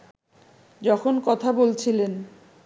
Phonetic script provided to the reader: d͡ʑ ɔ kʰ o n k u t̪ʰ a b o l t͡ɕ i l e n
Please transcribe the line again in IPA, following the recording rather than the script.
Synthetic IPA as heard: d͡ʑ ɔ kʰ o n k ɔ t̪ʰ a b o l t͡ɕʰ i l e n